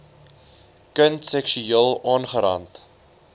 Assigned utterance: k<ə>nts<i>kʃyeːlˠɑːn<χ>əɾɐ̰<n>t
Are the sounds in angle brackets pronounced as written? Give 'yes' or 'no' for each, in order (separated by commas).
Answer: yes, no, yes, yes